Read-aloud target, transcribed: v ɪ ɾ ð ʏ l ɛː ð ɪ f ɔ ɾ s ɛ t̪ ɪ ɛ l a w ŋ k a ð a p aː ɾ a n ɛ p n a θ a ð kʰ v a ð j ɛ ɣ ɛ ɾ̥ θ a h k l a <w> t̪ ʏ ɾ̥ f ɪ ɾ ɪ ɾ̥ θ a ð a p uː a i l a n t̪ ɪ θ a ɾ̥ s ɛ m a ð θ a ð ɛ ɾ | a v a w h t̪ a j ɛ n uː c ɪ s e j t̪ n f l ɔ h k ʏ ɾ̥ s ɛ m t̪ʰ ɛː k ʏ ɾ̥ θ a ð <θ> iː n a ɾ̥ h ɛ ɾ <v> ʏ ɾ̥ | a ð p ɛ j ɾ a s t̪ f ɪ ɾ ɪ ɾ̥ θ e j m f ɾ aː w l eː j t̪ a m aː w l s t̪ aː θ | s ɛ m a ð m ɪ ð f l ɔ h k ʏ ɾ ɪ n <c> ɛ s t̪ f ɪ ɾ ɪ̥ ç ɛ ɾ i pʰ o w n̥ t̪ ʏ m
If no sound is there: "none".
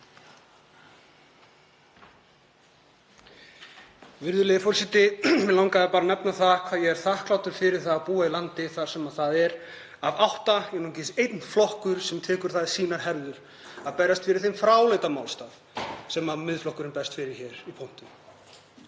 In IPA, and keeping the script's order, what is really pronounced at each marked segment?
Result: w, s, ð, p

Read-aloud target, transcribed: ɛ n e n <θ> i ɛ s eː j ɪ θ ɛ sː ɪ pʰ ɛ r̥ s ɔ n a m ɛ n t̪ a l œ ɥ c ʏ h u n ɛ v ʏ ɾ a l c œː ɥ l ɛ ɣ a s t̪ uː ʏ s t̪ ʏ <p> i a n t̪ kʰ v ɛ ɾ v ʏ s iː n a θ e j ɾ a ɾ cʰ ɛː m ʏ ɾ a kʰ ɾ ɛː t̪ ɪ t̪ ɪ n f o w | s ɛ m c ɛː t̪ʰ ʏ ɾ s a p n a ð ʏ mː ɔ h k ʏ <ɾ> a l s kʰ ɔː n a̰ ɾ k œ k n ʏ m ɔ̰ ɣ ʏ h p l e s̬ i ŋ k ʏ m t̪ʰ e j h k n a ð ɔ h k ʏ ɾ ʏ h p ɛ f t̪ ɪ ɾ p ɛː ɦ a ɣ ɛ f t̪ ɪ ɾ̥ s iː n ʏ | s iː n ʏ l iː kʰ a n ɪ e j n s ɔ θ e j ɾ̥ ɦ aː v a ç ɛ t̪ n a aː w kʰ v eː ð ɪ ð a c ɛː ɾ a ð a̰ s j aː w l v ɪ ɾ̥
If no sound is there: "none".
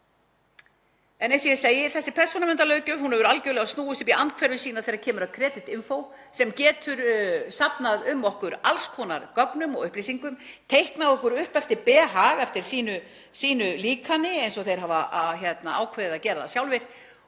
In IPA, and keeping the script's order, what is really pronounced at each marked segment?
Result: s, p, ɾ

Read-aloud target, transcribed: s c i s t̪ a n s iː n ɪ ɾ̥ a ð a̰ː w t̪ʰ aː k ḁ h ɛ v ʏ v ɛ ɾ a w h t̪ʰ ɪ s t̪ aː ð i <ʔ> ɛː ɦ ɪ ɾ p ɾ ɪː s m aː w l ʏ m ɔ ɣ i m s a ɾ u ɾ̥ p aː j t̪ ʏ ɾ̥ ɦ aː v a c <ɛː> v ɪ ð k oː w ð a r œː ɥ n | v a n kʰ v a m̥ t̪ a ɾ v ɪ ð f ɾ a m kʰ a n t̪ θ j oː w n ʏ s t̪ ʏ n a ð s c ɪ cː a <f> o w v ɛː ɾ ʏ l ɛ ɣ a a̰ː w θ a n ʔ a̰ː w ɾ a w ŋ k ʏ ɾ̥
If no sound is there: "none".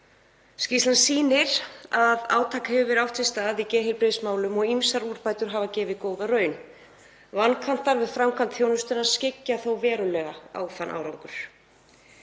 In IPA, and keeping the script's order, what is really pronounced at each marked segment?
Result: c, ɛː, θ

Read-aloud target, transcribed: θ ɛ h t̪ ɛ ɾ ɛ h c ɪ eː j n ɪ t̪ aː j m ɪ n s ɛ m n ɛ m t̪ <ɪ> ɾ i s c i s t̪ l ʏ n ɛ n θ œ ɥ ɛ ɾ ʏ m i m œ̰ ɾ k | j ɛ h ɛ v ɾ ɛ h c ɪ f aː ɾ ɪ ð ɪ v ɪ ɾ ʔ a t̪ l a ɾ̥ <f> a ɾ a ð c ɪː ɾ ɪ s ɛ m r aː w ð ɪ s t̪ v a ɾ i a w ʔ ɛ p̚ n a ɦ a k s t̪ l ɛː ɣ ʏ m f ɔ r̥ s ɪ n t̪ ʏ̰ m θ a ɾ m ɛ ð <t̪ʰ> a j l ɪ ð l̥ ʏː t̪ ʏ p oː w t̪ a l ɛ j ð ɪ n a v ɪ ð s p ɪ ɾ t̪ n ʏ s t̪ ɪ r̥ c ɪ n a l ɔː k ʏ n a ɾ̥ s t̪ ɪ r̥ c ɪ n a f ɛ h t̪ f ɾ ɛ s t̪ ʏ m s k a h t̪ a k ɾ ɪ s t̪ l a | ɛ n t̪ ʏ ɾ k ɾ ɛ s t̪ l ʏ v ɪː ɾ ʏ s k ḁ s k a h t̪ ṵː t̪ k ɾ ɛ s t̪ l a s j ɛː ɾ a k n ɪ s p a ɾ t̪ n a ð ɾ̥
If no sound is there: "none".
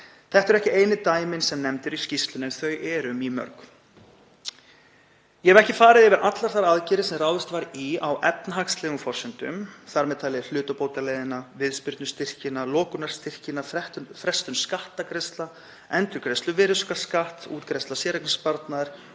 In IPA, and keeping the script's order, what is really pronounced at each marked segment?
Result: ɪ, θ, t̪ʰ

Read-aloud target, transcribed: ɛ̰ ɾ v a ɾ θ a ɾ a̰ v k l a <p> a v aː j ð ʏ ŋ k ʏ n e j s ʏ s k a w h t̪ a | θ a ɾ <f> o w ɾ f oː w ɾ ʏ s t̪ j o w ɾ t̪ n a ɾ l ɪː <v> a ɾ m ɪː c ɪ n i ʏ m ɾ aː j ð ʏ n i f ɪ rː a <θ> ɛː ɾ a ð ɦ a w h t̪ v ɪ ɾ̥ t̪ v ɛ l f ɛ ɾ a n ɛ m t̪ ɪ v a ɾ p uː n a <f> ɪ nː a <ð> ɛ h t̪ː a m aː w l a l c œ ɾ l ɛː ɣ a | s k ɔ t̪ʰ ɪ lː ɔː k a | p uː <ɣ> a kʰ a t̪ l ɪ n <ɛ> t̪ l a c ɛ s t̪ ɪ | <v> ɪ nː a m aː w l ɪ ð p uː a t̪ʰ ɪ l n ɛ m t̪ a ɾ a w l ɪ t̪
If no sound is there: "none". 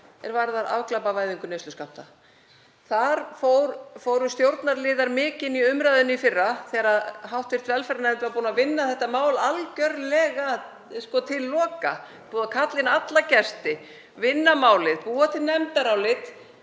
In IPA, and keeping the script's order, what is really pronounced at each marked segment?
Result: p, f, ð, θ, v, θ, ð, a, v

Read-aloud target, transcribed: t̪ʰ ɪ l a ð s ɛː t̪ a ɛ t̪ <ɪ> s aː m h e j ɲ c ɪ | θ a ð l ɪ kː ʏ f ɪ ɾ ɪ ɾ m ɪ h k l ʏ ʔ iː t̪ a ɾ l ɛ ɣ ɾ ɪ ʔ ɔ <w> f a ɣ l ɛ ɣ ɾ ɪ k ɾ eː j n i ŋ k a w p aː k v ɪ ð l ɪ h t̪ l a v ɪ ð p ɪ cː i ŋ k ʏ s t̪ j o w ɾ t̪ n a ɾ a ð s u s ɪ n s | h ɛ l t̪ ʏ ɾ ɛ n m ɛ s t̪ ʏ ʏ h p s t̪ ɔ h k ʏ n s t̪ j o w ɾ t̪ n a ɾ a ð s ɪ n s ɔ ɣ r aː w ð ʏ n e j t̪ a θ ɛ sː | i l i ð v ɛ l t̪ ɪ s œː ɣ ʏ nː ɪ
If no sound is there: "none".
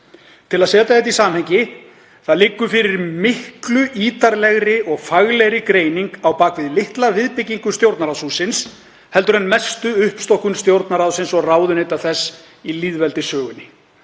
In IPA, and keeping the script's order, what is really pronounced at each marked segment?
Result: i, ɣ

